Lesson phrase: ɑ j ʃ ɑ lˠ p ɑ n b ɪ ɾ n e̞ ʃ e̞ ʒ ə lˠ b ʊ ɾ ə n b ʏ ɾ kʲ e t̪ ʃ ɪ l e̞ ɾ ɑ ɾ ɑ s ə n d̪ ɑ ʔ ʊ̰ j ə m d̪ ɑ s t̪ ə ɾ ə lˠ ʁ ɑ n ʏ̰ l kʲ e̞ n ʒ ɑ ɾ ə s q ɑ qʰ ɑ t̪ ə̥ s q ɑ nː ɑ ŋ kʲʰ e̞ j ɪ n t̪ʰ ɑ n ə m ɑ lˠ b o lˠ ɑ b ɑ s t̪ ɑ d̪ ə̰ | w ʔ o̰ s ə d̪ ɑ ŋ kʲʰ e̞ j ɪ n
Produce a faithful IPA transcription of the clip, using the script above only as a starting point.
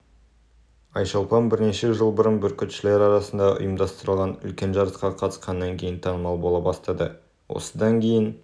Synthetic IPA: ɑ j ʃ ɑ lˠ p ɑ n b ɪ ɾ n e̞ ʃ e̞ ʒ ə lˠ b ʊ ɾ ə n b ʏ ɾ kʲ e t̪ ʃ ɪ l e̞ ɾ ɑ ɾ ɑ s ə n d̪ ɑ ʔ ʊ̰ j ə m d̪ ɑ s t̪ ə ɾ ə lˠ ʁ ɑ n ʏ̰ l kʲ e̞ n ʒ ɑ ɾ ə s q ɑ qʰ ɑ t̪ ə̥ s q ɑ nː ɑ ŋ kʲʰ e̞ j ɪ n t̪ʰ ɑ n ə m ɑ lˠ b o lˠ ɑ b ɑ s t̪ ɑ d̪ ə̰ | w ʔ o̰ s ə d̪ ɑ ŋ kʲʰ e̞ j ɪ n